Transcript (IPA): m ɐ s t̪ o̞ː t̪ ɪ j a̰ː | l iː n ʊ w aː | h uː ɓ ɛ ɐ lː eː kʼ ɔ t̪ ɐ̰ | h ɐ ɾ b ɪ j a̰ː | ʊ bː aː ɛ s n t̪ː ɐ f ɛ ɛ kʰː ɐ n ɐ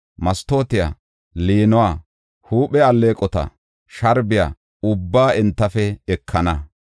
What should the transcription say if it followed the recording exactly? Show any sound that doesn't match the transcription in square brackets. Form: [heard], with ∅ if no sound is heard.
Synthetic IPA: m ɐ s t̪ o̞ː t̪ ɪ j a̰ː | l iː n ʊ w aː | h uː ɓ ɛ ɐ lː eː kʼ ɔ t̪ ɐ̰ | [ʃ] ɐ ɾ b ɪ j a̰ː | ʊ bː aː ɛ [∅] n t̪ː ɐ f ɛ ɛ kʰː ɐ n ɐ